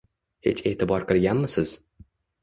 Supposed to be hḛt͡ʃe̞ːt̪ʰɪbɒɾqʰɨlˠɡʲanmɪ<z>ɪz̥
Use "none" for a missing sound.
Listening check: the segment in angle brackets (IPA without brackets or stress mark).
s